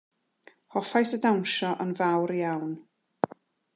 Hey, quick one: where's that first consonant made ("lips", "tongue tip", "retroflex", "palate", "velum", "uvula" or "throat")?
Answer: throat